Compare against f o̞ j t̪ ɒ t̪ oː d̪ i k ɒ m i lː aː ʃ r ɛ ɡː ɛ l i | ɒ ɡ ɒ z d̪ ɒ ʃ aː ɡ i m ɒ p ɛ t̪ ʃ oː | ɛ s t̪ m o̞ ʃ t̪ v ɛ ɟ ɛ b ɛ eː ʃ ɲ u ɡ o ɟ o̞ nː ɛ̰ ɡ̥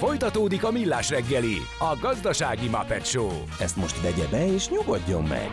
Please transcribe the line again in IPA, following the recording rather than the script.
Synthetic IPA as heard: f o̞ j t̪ ɒ t̪ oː d̪ i k ɒ m i lː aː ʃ r ɛ ɡː ɛ l i | ɒ ɡ ɒ z d̪ ɒ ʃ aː ɡ i m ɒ p ɛ t̪ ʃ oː | ɛ s t̪ m o̞ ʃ t̪ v ɛ ɟ ɛ b ɛ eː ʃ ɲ u ɡ o ɟː o̞ mː ɛ̰ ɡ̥